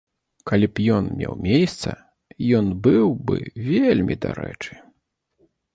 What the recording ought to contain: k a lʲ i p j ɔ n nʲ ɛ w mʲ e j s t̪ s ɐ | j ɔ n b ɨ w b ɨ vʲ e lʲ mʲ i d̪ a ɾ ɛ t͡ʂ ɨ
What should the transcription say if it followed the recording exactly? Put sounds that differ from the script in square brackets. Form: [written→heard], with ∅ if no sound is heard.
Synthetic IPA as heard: k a lʲ i p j ɔ n [nʲ→mʲ] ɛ w mʲ e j s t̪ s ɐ | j ɔ n b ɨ w b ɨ vʲ e lʲ mʲ i d̪ a ɾ ɛ t͡ʂ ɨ